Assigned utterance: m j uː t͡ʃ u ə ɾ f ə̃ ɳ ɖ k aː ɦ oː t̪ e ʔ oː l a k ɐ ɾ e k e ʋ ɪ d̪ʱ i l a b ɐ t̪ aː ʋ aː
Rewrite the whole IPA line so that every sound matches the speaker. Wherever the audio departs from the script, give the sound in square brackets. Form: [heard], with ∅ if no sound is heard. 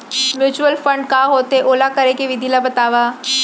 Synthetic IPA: m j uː t͡ʃ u ə [l] f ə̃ ɳ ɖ k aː ɦ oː t̪ e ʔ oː l a k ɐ ɾ e k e ʋ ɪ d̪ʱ i l a b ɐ t̪ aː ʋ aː